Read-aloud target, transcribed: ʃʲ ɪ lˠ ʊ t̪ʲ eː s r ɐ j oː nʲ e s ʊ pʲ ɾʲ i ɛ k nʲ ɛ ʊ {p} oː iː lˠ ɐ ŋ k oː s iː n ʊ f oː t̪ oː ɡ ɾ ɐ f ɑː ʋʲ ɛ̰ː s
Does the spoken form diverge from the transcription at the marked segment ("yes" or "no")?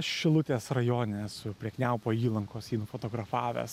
no